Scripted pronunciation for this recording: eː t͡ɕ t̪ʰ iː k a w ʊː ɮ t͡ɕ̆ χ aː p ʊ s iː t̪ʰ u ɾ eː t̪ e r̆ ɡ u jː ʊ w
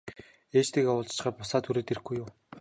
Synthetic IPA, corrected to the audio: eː t͡ɕ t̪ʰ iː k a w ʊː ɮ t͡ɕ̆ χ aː p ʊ s aː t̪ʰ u ɾ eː t̪ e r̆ ɡ u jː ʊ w